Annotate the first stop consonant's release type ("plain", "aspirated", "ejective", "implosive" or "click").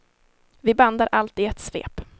plain